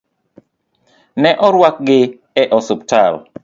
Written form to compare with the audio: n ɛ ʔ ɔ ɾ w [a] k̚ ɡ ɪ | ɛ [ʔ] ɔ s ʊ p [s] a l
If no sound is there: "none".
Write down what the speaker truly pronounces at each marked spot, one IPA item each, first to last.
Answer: a, ʔ, t

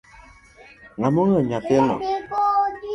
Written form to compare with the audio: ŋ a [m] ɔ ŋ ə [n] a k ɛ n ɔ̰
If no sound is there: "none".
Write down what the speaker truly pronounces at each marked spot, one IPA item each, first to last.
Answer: m, ɲ

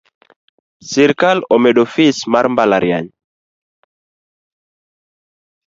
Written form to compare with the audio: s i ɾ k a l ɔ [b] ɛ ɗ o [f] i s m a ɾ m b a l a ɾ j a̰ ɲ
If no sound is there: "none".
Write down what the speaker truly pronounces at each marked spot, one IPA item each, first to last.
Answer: m, f

